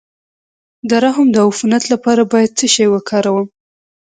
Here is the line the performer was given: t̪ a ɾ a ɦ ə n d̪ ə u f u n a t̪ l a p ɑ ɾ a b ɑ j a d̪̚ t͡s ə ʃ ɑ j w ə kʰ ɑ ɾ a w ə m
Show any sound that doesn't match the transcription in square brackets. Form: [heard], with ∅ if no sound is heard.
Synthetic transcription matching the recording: [d̪] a ɾ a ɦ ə [m] d̪ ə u f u n a t̪ l a p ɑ ɾ a b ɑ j a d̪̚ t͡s ə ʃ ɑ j w ə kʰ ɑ ɾ a w ə m